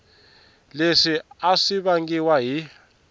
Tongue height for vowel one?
mid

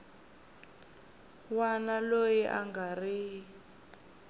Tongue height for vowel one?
low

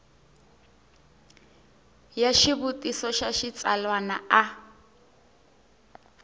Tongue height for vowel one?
low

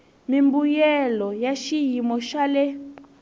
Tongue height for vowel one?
high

